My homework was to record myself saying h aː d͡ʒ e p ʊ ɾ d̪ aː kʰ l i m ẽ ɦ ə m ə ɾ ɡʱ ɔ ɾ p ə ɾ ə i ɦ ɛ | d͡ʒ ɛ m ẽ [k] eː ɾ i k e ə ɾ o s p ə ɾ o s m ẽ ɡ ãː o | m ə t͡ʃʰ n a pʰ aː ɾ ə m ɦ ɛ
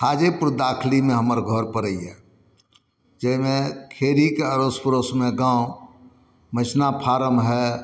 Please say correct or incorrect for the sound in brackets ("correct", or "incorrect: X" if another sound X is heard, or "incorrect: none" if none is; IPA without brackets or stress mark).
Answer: incorrect: kʰ